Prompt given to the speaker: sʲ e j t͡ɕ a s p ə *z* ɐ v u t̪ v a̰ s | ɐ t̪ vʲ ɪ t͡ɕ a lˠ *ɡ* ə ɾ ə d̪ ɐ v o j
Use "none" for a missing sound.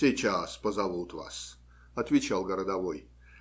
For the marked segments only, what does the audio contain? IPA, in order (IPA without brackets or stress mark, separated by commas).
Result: z, ɡ